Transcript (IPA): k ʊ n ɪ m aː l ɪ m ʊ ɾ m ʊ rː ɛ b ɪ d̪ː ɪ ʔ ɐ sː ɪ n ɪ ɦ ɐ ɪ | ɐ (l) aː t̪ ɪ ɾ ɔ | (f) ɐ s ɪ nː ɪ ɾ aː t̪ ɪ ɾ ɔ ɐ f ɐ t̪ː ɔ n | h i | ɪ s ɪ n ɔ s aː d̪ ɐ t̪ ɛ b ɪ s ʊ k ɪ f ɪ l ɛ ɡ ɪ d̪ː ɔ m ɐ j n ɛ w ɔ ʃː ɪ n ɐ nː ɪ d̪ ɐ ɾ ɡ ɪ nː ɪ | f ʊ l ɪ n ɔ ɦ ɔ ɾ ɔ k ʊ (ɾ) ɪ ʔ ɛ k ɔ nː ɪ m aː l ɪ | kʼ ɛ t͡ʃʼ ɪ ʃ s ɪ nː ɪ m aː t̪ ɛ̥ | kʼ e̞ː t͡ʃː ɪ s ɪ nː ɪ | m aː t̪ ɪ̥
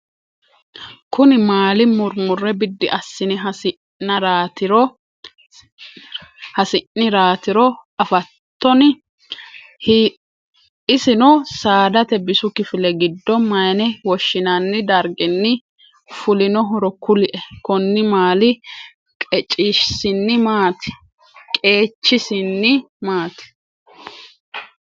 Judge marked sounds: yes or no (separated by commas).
no, no, no